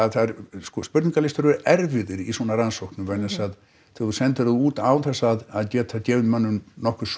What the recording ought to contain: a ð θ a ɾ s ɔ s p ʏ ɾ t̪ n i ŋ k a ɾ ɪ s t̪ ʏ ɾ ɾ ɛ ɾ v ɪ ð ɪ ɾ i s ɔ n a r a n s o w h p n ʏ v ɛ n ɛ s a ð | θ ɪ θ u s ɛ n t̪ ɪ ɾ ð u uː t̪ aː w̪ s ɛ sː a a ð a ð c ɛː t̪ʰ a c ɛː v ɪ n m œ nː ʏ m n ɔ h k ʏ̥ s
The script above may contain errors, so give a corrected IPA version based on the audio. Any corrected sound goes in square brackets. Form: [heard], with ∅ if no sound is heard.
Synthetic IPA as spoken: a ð θ a ɾ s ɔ s p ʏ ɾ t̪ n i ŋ k a [l] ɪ s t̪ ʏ ɾ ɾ ɛ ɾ v ɪ ð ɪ ɾ i s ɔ n a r a n s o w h [k] n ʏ v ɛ n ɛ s a ð | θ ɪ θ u s ɛ n t̪ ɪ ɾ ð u uː t̪ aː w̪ [θ] ɛ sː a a ð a ð c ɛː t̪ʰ a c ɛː v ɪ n m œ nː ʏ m n ɔ h k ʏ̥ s